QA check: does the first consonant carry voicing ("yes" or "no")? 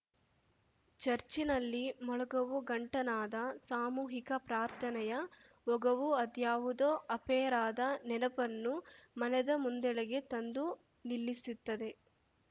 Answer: no